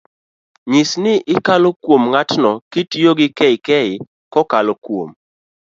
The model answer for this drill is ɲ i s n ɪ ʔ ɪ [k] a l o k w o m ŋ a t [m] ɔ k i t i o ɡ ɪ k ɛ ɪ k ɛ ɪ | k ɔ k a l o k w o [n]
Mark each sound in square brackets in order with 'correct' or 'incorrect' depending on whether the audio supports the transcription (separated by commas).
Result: correct, incorrect, incorrect